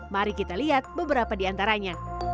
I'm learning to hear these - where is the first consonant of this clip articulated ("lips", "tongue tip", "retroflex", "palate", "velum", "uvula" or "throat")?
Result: lips